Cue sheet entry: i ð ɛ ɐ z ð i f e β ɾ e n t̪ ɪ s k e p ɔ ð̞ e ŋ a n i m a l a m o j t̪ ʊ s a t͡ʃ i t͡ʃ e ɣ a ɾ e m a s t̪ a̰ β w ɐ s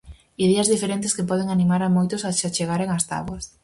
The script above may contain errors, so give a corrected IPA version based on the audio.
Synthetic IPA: i ð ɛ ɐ z ð i f e ɾ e n t̪ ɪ s k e p ɔ ð̞ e ŋ a n i m a ɾ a m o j t̪ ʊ s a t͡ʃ a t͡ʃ e ɣ a ɾ e ŋ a s t̪ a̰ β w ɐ s